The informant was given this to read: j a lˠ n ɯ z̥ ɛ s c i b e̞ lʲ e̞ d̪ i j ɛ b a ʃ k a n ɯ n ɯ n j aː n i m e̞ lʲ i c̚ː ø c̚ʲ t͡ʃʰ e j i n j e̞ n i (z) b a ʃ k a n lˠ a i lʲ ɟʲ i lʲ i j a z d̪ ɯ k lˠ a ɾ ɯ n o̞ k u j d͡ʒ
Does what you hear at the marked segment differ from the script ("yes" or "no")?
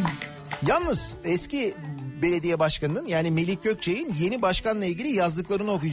yes